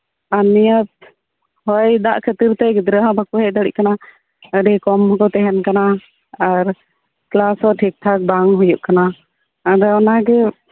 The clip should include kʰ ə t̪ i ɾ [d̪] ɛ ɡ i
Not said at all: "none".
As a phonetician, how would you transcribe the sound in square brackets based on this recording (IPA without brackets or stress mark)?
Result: t̪